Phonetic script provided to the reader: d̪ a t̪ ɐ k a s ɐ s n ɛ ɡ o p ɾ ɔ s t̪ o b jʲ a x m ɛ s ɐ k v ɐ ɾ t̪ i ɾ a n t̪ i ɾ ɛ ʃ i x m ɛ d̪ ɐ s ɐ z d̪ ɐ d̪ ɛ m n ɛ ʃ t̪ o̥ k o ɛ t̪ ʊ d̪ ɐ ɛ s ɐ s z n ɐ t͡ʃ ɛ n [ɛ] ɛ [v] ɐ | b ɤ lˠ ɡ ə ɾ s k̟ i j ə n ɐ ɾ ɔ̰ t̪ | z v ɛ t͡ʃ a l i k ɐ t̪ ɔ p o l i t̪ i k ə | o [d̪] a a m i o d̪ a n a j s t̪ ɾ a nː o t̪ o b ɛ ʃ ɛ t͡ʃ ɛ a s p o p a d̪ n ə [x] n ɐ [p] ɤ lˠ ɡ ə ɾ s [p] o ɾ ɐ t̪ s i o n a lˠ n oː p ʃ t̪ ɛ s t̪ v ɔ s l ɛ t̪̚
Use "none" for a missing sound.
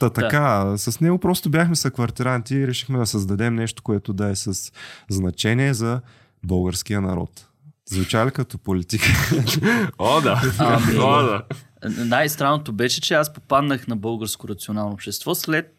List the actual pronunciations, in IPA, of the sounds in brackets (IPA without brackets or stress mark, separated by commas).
i, z, d̪, x, b, k